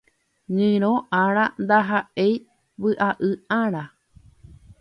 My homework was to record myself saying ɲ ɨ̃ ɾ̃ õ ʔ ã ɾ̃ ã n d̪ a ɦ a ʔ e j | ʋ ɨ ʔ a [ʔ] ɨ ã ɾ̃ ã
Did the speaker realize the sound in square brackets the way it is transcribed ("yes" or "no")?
yes